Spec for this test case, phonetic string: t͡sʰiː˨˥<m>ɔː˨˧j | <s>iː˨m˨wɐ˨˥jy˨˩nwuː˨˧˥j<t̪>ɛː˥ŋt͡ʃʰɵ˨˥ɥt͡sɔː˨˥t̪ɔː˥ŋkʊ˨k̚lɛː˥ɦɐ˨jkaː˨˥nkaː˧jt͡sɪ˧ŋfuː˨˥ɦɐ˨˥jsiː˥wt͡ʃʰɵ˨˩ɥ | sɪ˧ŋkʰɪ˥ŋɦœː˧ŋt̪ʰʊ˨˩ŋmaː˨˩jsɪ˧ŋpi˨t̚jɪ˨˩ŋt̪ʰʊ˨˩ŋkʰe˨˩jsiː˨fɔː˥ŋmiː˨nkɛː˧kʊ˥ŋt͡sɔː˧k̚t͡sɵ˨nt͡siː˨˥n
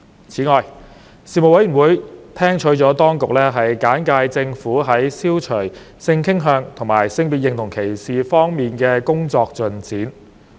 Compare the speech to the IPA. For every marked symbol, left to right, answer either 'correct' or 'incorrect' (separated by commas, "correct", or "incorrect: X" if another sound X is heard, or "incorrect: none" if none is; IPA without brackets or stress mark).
incorrect: ŋ, correct, incorrect: t̪ʰ